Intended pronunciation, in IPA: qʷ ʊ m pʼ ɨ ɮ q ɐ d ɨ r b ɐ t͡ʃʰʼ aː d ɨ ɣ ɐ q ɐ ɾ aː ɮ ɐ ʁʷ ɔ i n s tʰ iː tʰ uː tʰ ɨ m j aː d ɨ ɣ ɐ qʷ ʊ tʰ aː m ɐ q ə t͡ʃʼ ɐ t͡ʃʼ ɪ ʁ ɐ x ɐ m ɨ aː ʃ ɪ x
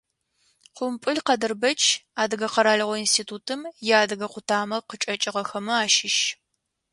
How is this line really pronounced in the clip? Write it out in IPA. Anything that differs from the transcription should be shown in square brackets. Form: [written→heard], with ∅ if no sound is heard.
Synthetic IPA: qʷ ʊ m pʼ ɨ ɮ q ɐ d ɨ r b ɐ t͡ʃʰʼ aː d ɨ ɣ ɐ q ɐ ɾ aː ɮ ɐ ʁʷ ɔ i n s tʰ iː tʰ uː tʰ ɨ m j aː d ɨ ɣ ɐ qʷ ʊ tʰ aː m ɐ q ə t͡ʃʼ ɐ t͡ʃʼ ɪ ʁ ɐ x ɐ m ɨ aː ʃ ɪ [x→ʃ]